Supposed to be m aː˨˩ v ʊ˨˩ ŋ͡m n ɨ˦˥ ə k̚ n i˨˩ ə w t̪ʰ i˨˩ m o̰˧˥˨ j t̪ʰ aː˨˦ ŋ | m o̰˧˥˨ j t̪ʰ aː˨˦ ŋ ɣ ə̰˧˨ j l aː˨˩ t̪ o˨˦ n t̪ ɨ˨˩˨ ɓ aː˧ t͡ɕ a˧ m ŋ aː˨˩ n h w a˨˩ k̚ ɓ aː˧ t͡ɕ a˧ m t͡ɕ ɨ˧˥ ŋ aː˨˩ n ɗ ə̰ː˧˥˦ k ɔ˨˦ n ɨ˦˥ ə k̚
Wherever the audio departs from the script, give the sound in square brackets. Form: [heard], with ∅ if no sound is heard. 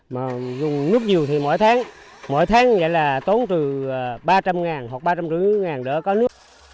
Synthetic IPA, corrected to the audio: m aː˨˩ [z] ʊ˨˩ ŋ͡m n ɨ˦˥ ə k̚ [ɲ] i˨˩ ə w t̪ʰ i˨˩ m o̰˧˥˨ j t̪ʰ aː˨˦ ŋ | m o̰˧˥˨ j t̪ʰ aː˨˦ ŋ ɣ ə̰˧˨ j l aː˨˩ t̪ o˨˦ n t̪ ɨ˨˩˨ ɓ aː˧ t͡ɕ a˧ m ŋ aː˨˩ n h w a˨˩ k̚ ɓ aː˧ t͡ɕ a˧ m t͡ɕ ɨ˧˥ ŋ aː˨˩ n ɗ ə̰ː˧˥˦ k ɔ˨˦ n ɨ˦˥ ə k̚